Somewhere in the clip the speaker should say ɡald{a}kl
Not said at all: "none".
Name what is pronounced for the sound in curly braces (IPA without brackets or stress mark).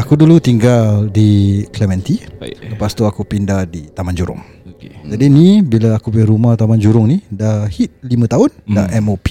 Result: i